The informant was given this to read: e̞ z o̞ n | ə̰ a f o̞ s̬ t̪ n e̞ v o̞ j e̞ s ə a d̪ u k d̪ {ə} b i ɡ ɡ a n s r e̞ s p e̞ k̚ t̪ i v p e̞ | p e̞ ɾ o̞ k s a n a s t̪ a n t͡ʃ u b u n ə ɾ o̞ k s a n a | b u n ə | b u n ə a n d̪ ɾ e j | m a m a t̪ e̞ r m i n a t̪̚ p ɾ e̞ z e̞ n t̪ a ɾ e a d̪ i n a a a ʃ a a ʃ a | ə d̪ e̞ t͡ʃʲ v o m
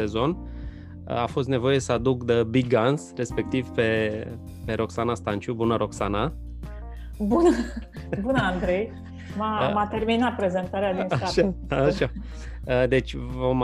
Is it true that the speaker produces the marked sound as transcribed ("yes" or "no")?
yes